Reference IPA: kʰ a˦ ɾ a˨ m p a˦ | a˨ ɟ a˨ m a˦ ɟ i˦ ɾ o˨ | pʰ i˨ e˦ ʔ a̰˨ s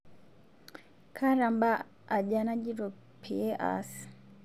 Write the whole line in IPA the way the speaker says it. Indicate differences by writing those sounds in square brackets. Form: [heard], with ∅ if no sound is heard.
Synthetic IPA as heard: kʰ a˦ ɾ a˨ m [b] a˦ | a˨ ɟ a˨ [n] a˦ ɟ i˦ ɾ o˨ | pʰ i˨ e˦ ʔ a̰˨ s